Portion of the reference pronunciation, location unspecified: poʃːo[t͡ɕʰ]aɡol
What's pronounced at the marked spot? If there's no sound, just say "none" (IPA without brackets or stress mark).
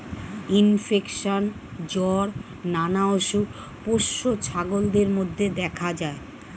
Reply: t͡ɕʰ